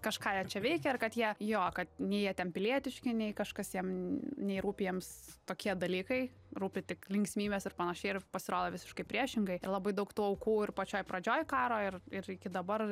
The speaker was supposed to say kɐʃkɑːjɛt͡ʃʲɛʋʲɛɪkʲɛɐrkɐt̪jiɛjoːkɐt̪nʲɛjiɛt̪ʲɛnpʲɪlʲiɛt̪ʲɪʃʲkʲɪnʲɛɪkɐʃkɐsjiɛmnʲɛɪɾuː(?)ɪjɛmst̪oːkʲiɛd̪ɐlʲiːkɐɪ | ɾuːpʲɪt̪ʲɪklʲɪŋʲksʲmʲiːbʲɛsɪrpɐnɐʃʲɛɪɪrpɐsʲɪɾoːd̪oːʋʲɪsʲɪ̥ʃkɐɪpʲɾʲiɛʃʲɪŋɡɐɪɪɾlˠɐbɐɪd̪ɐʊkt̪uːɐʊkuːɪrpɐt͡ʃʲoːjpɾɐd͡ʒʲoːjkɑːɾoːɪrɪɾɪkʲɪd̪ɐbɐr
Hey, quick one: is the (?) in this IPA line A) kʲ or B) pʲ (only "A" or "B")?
B